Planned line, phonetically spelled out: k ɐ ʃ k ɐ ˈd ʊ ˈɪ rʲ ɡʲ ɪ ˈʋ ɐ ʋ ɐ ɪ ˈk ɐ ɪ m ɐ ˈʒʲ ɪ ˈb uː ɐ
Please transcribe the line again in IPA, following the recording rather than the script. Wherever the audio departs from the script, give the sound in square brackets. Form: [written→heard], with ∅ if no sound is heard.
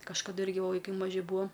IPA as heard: k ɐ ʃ k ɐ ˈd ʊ ˈɪ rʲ ɡʲ ɪ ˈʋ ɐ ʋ ɐ ɪ ˈk ɐ ɪ m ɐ ˈʒʲ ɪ ˈb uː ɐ